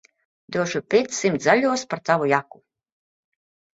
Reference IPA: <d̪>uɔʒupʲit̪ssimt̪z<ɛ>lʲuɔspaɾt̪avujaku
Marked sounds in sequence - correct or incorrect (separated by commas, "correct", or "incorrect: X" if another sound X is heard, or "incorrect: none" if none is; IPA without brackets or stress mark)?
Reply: correct, incorrect: a